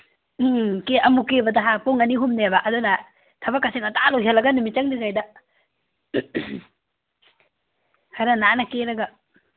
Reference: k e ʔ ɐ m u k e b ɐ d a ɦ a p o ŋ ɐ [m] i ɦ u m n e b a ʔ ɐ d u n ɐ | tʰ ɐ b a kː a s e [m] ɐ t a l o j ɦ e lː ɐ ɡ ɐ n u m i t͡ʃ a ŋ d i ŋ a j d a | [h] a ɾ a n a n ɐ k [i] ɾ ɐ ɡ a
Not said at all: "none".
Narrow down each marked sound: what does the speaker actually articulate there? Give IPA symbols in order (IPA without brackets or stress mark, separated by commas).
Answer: n, ŋ, h, e